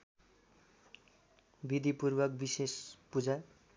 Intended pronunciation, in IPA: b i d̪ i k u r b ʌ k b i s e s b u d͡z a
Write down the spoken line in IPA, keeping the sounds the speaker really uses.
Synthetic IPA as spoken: b i d̪ i p u r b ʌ k b i s e s p u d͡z a